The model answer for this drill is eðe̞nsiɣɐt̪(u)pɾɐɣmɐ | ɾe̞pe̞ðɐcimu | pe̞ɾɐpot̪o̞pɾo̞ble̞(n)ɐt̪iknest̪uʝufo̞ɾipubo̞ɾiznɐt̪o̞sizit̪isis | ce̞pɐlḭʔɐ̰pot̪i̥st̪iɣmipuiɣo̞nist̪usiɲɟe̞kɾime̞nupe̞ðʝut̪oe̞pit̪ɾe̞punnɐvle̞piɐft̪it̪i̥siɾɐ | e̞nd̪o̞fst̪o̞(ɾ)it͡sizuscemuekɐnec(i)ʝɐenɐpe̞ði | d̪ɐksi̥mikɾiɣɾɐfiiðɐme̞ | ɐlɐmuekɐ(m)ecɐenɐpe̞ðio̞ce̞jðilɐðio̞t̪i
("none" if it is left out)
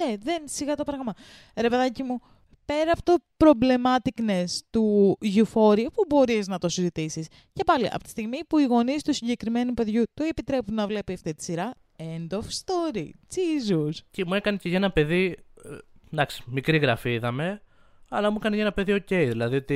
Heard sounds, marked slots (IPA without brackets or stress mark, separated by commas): o, m, ɾ, e, n